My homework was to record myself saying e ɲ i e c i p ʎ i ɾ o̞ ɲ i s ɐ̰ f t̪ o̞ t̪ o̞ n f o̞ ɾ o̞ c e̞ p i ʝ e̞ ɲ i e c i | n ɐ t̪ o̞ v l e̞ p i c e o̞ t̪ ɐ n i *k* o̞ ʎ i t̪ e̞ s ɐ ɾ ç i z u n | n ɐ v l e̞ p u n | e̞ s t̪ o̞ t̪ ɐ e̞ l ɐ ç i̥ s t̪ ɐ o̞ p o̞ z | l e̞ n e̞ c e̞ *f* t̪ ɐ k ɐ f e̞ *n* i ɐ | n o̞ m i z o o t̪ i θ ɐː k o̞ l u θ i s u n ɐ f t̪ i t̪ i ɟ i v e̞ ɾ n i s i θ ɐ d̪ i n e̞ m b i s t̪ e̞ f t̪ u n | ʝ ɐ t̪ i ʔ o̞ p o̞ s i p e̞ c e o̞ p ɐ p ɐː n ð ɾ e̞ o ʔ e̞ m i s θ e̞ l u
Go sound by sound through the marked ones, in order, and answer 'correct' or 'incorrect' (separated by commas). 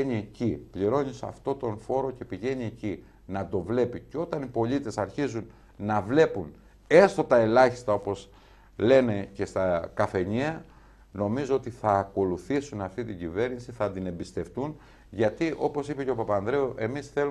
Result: incorrect, incorrect, incorrect